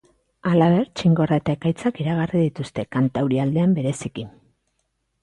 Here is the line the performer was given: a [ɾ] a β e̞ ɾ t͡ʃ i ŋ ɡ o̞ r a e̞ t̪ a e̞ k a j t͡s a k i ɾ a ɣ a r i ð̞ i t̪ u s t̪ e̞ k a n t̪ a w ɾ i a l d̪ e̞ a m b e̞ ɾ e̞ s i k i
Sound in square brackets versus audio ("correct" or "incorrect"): incorrect